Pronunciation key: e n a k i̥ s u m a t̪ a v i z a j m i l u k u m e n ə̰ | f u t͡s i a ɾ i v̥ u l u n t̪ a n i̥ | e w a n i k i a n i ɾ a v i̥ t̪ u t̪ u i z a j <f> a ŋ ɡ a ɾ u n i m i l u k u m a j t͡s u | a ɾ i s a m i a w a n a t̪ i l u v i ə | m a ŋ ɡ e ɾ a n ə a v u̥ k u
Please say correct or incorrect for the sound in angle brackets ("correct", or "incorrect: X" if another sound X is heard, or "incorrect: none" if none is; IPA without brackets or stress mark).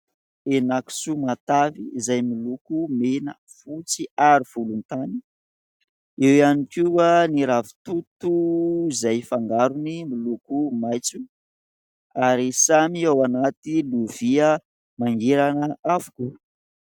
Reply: correct